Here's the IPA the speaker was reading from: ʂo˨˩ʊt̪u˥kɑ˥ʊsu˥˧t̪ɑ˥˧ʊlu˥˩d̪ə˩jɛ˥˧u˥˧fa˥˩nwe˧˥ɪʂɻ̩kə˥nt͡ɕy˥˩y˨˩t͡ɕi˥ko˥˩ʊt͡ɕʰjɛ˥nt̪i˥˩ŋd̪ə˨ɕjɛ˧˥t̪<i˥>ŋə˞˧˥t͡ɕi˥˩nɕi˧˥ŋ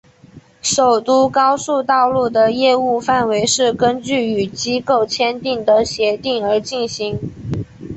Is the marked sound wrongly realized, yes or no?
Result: yes